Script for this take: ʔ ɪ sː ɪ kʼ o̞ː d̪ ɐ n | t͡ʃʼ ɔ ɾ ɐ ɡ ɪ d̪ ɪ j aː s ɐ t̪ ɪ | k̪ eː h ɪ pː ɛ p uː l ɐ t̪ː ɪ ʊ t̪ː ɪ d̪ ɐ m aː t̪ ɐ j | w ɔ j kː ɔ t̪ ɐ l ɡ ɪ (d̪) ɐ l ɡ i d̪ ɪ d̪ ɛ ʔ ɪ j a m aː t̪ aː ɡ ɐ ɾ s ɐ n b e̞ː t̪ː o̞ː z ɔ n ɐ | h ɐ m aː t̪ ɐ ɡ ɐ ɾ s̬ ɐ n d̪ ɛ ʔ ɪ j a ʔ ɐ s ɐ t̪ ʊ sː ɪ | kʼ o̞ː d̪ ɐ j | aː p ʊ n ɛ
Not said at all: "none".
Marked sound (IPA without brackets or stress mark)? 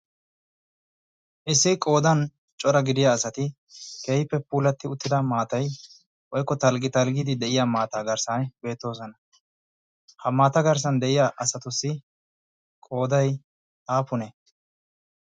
t̪